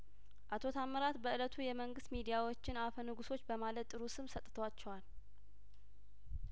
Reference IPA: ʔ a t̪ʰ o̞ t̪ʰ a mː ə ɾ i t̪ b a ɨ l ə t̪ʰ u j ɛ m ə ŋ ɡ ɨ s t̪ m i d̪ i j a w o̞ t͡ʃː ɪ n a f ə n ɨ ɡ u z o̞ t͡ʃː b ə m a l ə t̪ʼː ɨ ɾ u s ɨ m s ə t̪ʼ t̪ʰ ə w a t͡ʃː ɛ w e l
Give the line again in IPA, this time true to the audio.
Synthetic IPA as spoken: ʔ a t̪ʰ o̞ t̪ʰ a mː ə ɾ a t̪ b ə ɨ l ə t̪ʰ u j ɛ m ə ŋ ɡ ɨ s t̪ m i d̪ i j a w o̞ t͡ʃː ɪ n a f ə n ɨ ɡ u s o̞ t͡ʃː b ə m a l ə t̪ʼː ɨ ɾ u s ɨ m s ə t̪ʼ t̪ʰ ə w a t͡ʃː ɛ w a l